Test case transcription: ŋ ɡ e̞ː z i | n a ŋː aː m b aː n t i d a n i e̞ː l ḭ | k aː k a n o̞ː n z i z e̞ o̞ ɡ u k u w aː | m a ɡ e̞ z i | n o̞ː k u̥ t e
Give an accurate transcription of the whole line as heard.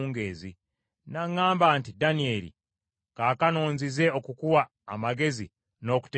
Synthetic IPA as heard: ŋ ɡ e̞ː z i | n a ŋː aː m b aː n t i d a n i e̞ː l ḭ | k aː k a n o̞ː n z i z e̞ o̞ k u k u w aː | m a ɡ e̞ z i | n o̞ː k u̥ t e